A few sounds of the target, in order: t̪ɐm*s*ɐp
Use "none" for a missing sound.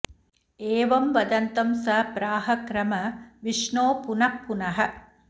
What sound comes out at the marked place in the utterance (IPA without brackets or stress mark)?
s